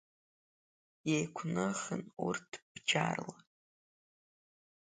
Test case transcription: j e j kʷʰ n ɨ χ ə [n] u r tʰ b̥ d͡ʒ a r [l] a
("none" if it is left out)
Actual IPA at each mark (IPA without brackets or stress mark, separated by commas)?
n, l